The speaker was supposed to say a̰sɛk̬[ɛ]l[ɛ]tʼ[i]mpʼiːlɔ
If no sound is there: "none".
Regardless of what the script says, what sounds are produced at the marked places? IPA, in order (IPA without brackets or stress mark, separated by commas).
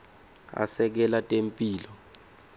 ɛ, a, e